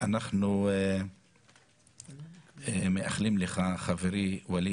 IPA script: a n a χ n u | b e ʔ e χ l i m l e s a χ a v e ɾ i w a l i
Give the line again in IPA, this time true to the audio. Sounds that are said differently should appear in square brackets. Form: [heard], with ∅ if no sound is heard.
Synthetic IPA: a n a χ n u | [m] e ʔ [a] χ l i m l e [χ] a χ a v e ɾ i w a l i

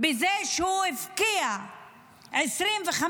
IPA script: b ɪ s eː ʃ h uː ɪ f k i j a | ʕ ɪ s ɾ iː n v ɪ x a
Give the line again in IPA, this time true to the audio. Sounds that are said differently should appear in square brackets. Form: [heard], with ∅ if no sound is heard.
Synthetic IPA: b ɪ [z] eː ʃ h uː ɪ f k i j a | ʕ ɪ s ɾ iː n v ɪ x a

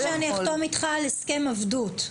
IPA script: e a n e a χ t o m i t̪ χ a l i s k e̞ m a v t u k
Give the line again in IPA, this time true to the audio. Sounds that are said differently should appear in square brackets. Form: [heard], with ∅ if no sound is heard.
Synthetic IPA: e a n [i] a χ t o m i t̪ χ a l [e] s k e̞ m a v [d] u [t]

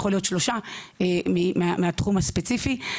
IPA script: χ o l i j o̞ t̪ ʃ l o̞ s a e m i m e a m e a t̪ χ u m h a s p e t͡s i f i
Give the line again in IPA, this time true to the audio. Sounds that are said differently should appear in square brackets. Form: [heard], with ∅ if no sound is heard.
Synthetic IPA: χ o l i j o̞ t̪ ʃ l o̞ [ʃ] a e m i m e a m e a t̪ χ u m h a s p e t͡s i f i

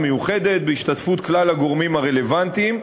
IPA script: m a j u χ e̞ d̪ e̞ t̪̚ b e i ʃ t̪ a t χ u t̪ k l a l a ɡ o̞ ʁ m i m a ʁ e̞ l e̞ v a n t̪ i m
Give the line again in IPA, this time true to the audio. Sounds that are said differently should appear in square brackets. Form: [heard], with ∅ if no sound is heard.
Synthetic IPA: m [e] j u χ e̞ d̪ e̞ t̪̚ b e i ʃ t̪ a t [f] u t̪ k l a l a ɡ o̞ ʁ m i m a ʁ e̞ l e̞ v a n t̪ i m

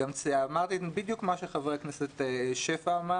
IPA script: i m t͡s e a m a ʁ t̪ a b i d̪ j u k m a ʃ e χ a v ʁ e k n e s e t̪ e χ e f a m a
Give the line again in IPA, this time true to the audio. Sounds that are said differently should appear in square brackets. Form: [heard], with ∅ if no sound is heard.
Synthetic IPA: [a] m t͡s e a m a ʁ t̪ [i] b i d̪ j u k m a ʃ e χ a v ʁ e k n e s e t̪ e [ʃ] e f a m a

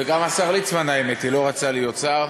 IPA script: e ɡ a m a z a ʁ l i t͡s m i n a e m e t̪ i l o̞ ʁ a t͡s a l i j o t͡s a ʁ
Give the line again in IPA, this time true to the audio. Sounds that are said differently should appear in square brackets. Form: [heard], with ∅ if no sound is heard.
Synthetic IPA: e ɡ a m a [s] a ʁ l i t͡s m [a] n a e m e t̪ i l o̞ ʁ a t͡s a l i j o t͡s a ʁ

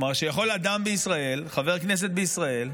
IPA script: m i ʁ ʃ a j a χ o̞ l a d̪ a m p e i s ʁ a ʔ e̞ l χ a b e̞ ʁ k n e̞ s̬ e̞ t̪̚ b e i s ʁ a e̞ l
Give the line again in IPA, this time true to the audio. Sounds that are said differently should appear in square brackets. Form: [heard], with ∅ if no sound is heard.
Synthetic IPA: m [a] ʁ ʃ [e] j a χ o̞ l a d̪ a m [b] e i s ʁ a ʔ e̞ l χ a [v] e̞ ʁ k n e̞ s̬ e̞ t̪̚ b e i s ʁ a e̞ l

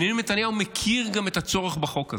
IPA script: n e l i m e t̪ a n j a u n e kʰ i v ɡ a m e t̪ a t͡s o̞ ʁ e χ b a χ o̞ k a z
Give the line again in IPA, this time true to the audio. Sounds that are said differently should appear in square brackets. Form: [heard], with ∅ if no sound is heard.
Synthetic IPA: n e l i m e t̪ a n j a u [m] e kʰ i [ʁ] ɡ a m e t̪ a t͡s o̞ ʁ e χ b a χ o̞ k a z

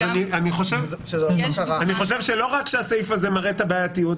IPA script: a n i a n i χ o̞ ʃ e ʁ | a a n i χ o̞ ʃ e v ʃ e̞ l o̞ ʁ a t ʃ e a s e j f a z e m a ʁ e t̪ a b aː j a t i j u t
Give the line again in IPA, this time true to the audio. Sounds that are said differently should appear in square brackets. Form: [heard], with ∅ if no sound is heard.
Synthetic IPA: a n i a n i χ o̞ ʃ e [v] | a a n i χ o̞ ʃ e v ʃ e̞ l o̞ ʁ a [k] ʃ e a s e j f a z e m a ʁ e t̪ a b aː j a t i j u t

